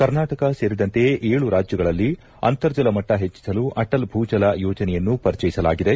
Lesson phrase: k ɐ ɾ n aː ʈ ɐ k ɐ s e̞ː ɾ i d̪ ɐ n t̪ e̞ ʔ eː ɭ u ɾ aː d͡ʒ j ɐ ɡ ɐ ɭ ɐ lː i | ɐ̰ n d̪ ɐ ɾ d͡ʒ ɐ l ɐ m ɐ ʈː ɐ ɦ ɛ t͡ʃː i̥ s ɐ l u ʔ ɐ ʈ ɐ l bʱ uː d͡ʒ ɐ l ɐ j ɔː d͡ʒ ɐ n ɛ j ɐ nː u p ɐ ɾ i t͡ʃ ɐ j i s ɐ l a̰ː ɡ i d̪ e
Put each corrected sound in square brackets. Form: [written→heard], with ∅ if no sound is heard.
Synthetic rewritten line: k ɐ ɾ n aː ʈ ɐ k ɐ s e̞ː ɾ i d̪ ɐ n t̪ e̞ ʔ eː ɭ u ɾ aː d͡ʒ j ɐ ɡ ɐ ɭ ɐ lː i | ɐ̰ n [d̪→t̪] ɐ ɾ d͡ʒ ɐ l ɐ m ɐ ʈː ɐ ɦ [ɛ→e] t͡ʃː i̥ s ɐ l u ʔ ɐ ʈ ɐ l bʱ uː d͡ʒ ɐ l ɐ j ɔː d͡ʒ ɐ n ɛ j ɐ nː u p ɐ ɾ i t͡ʃ ɐ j i s ɐ l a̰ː ɡ i d̪ e